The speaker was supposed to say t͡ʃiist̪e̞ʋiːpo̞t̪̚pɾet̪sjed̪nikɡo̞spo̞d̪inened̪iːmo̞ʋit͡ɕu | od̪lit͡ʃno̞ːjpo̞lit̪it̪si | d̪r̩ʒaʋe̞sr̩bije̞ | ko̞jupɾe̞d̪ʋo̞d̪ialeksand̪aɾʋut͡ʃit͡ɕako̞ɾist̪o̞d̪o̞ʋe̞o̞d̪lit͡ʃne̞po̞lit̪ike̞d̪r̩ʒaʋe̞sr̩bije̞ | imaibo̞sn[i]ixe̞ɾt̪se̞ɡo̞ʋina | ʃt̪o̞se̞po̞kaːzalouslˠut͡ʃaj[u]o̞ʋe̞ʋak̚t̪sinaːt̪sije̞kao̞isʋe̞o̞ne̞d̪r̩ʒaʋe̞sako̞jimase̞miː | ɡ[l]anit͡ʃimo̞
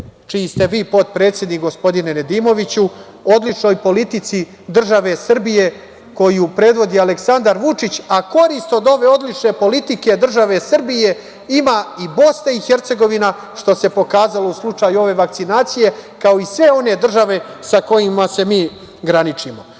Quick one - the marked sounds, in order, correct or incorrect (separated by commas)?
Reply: incorrect, correct, incorrect